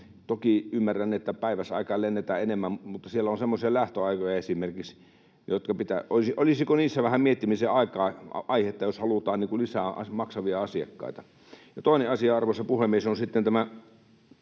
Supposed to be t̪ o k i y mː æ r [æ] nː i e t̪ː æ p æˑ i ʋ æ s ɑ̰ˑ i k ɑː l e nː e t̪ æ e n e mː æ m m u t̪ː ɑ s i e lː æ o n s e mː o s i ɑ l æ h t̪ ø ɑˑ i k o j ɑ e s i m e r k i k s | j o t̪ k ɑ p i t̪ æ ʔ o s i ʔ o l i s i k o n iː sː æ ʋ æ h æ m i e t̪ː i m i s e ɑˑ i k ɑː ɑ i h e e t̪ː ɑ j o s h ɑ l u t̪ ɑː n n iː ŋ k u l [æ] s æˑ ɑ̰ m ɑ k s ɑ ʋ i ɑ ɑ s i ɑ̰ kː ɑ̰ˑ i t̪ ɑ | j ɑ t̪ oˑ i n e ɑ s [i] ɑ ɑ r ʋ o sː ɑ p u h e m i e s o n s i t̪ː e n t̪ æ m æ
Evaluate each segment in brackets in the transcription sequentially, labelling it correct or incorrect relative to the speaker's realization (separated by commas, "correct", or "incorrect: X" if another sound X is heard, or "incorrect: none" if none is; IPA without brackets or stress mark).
correct, incorrect: i, correct